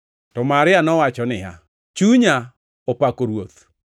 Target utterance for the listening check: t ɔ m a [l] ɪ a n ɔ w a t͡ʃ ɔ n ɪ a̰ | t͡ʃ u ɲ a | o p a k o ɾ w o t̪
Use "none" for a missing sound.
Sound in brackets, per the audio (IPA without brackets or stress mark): ɾ